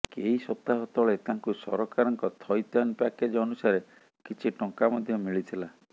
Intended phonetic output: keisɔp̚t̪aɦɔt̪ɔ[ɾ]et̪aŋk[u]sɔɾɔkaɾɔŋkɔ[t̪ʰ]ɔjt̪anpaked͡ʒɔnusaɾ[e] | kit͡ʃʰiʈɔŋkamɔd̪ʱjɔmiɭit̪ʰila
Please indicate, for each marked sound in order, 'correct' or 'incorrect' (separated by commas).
incorrect, correct, correct, correct